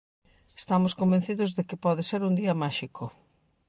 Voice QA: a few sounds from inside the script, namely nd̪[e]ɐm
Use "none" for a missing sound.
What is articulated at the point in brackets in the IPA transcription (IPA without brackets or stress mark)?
i